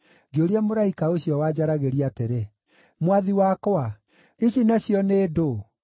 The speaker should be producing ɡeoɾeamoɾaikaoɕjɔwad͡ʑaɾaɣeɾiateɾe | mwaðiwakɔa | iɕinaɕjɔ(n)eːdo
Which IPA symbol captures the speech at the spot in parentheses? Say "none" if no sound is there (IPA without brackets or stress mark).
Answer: n